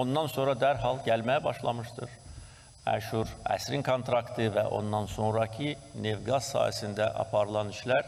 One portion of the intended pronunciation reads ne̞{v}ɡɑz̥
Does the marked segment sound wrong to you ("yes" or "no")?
no